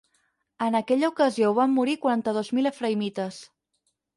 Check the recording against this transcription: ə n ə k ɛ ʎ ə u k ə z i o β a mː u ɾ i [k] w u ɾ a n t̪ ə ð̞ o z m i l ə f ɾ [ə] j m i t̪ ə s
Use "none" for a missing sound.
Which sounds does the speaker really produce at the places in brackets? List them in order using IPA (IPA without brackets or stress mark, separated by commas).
k, ə